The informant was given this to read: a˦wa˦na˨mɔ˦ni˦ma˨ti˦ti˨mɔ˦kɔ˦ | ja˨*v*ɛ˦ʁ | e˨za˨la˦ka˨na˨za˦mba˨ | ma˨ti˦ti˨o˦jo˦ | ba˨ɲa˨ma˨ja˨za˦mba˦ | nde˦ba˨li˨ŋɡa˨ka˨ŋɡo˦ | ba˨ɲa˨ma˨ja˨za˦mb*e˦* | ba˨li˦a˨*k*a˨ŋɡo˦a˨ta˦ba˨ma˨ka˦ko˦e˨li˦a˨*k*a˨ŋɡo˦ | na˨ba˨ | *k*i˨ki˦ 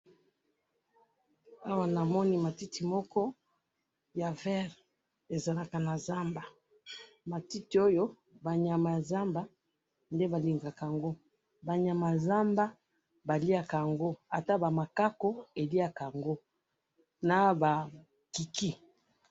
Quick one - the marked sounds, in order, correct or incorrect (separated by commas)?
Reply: correct, incorrect, correct, correct, correct